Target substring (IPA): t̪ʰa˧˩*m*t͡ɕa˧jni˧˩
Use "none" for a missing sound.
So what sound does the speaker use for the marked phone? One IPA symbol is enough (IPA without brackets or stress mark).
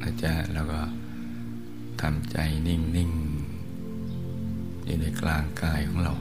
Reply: m